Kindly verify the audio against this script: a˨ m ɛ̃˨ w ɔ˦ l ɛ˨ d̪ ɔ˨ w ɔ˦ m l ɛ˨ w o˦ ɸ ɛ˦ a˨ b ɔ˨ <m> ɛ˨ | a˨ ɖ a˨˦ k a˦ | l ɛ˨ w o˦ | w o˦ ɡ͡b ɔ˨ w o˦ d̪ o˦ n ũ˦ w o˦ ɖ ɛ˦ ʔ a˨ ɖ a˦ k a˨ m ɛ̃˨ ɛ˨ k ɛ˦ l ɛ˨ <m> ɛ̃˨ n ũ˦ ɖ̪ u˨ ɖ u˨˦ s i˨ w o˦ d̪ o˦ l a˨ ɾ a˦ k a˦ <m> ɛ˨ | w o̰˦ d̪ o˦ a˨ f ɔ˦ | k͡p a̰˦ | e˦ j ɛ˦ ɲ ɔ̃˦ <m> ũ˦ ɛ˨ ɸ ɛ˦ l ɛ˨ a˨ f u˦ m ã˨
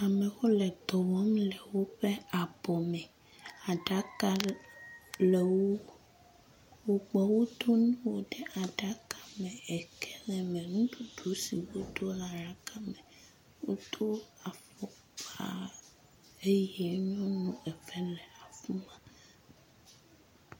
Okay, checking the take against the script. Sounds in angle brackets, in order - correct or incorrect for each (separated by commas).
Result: correct, correct, correct, incorrect